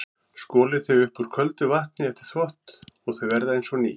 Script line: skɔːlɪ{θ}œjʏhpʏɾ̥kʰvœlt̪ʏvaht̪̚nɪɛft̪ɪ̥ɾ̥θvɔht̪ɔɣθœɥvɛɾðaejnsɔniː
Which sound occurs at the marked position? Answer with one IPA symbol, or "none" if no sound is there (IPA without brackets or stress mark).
θ